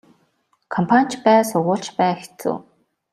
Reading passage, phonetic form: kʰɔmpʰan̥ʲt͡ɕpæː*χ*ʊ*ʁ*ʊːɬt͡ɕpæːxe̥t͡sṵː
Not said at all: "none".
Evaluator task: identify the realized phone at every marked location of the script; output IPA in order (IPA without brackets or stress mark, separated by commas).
s, ʁ